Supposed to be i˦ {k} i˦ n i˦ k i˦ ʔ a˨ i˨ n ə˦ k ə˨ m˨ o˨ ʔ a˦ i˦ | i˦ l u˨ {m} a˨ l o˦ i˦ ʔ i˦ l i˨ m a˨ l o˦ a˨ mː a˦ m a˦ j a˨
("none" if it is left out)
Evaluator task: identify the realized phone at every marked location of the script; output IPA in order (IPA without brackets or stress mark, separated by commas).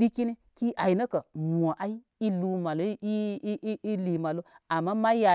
k, m